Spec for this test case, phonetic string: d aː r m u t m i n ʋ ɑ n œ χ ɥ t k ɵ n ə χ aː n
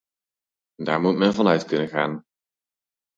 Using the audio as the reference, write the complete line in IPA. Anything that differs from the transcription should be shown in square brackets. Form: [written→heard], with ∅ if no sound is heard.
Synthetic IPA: d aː [r→ɹ] m u t m [i→ɛ] n [ʋ→v] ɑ n œ [χ→∅] ɥ t k ɵ n ə χ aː n